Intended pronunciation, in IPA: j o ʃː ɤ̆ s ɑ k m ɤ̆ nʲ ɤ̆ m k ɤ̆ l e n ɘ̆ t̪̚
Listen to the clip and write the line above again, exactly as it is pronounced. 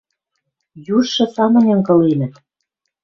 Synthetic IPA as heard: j u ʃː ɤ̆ s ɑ m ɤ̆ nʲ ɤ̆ ŋ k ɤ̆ l e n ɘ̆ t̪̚